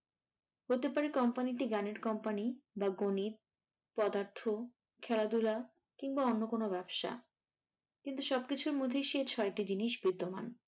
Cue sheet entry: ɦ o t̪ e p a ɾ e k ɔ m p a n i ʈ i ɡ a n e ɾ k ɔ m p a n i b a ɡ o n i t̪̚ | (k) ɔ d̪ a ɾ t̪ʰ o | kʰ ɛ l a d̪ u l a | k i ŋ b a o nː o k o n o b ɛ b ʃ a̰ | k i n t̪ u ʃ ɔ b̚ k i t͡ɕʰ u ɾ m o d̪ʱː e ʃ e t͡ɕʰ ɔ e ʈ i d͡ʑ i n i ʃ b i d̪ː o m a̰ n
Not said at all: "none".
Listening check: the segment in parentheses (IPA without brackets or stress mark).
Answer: p